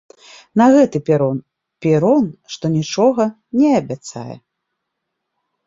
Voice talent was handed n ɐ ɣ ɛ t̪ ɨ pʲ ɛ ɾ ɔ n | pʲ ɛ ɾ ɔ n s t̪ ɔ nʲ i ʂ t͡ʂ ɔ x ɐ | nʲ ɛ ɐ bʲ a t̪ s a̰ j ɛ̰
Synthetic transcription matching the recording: n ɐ ɣ ɛ t̪ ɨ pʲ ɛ ɾ ɔ n | pʲ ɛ ɾ ɔ n ʂ t̪ ɔ nʲ i t͡ʂ ɔ ɣ ɐ | nʲ ɛ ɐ bʲ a t̪ s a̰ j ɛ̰

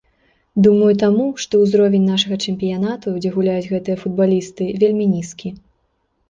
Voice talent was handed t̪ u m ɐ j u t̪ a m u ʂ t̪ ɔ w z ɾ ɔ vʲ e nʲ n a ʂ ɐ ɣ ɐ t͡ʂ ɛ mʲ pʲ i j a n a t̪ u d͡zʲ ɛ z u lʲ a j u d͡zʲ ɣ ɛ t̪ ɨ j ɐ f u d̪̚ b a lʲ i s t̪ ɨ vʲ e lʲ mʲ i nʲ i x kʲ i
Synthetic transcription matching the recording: d̪ u m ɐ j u t̪ a m u ʂ t̪ ɔ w z ɾ ɔ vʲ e nʲ n a ʂ ɐ ɣ ɐ t͡ʂ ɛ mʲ pʲ i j a n a t̪ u d͡zʲ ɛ ɣ u lʲ a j u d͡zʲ ɣ ɛ t̪ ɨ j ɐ f u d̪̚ b a lʲ i s t̪ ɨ vʲ e lʲ mʲ i nʲ i s kʲ i

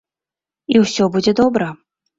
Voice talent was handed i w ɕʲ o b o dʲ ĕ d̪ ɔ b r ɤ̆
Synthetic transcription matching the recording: i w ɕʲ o b u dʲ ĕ d̪ o b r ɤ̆

